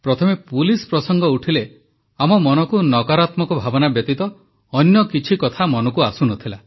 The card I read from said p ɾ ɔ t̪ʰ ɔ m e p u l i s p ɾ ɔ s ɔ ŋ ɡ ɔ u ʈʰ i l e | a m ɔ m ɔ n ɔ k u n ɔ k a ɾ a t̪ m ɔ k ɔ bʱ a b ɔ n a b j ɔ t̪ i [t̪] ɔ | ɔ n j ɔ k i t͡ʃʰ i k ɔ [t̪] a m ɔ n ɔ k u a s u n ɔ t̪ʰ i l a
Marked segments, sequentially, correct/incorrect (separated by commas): correct, incorrect